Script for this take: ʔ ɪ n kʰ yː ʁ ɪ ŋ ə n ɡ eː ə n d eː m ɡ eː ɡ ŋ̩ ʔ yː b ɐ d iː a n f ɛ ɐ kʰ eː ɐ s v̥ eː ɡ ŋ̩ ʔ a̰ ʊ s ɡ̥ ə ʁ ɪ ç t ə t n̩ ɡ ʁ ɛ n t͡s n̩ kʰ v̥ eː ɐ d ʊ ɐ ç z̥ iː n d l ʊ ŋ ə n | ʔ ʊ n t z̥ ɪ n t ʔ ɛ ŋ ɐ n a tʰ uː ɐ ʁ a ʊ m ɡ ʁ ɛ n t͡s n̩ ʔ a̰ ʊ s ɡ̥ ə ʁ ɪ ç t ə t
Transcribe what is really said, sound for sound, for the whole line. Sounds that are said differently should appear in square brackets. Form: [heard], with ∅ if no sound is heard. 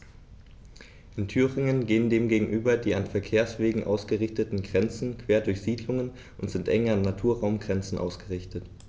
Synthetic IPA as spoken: ʔ ɪ n [tʰ] yː ʁ ɪ ŋ ə n ɡ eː ə n d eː m ɡ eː ɡ ŋ̩ ʔ yː b ɐ d iː a n f ɛ ɐ kʰ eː ɐ s v̥ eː ɡ ŋ̩ ʔ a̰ ʊ s ɡ̥ ə ʁ ɪ ç t ə t n̩ ɡ ʁ ɛ n t͡s n̩ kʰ v̥ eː ɐ d ʊ ɐ ç z̥ iː [∅] d l ʊ ŋ ə n | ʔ ʊ n t z̥ ɪ n t ʔ ɛ ŋ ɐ n a tʰ uː ɐ ʁ a ʊ m ɡ ʁ ɛ n t͡s n̩ ʔ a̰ ʊ s ɡ̥ ə ʁ ɪ ç t ə t